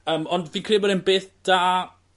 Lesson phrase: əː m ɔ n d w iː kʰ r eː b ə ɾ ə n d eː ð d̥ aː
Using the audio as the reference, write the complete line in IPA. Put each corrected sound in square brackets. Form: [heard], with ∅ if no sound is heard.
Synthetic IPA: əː m ɔ n d [v] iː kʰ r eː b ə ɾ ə n [b] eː [θ] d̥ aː